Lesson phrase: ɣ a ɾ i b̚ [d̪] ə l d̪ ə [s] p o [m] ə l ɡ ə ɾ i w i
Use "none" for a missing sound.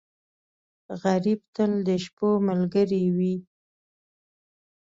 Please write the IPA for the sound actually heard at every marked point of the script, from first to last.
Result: t̪, ʃ, m

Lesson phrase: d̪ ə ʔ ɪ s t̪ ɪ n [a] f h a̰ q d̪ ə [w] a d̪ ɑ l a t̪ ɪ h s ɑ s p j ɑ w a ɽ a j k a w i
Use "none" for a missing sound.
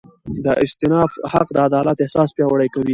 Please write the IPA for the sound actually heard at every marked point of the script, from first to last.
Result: ɑ, none

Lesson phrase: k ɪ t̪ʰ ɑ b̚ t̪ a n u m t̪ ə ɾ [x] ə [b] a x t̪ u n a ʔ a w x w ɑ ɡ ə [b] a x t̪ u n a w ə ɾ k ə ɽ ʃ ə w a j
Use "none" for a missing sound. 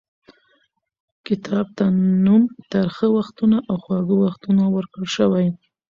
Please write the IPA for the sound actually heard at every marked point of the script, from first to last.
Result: x, w, w

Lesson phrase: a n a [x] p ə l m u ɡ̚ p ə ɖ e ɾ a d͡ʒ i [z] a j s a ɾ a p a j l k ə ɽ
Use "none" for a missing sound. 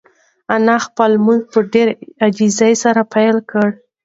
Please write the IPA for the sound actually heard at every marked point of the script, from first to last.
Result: x, z

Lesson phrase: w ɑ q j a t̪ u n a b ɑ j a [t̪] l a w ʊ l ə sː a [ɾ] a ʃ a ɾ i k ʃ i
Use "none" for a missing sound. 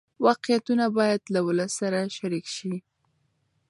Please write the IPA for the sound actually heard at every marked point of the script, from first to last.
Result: d̪, ɾ

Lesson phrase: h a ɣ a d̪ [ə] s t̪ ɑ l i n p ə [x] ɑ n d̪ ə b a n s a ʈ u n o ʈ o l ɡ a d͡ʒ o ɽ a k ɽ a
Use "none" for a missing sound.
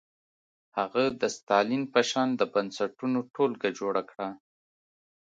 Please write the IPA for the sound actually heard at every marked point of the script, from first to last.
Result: ə, ʃ

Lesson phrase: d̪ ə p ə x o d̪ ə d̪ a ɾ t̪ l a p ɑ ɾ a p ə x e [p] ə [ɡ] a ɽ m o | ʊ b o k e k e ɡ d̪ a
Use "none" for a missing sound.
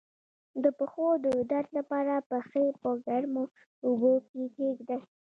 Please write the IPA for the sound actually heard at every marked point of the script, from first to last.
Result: p, ɡ

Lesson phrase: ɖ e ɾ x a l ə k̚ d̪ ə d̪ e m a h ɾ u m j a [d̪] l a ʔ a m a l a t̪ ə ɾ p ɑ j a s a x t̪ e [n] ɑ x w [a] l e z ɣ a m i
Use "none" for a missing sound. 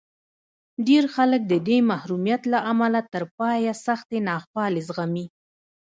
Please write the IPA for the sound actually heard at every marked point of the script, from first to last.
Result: t̪, n, ɑ

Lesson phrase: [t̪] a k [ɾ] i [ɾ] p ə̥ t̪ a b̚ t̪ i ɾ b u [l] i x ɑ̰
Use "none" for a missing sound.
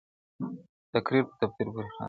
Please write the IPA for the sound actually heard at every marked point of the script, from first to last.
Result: t̪, ɾ, ɾ, ɾ

